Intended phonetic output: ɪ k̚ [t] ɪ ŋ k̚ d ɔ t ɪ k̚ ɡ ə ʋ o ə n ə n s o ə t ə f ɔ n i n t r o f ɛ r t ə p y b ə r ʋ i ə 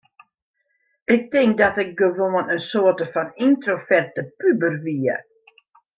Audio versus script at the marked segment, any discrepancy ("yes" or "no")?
no